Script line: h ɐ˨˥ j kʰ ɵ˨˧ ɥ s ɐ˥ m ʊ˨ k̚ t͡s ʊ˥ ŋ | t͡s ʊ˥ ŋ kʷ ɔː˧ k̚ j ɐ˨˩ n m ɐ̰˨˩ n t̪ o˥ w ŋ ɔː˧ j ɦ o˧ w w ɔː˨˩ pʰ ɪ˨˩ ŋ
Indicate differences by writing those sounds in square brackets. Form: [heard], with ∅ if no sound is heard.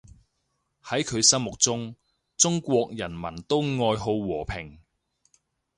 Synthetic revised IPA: h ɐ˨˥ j kʰ ɵ˨˧ ɥ s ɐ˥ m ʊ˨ k̚ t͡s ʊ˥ ŋ | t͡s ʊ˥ ŋ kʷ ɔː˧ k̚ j ɐ˨˩ n m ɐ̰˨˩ n t̪ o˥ w ŋ ɔː˧ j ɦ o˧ w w ɔː˨˩ pʰ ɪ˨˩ ŋ